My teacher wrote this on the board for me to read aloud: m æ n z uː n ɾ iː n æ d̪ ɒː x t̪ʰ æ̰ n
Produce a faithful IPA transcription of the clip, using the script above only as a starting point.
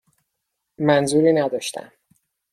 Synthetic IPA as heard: m æ n z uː ɾ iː n æ d̪ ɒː ʃ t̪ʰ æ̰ m